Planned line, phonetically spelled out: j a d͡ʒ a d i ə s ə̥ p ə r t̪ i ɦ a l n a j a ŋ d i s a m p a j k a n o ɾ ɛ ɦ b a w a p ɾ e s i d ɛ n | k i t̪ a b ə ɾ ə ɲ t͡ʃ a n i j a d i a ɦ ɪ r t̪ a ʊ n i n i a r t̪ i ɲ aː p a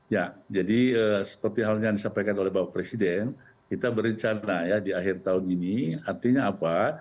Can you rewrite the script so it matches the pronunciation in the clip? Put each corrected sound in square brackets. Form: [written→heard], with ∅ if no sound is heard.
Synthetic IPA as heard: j a d͡ʒ a d i ə s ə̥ p ə r t̪ i ɦ a l [n→ɲ] a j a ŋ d i s a m p a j k a n o [ɾ→l] ɛ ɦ b a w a p ɾ e s i d ɛ n | k i t̪ a b ə ɾ ə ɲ t͡ʃ a n [i→a] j a d i a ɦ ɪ r t̪ a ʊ n i n i a r t̪ i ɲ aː p a